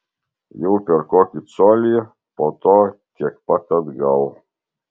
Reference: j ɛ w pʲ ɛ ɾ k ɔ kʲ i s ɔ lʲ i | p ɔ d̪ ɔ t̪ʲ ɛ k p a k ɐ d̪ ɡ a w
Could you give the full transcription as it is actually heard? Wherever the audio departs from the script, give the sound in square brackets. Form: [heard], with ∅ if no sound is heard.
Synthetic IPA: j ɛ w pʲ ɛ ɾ k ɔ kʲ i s ɔ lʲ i | p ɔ [t̪] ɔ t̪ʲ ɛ k p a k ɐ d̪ ɡ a w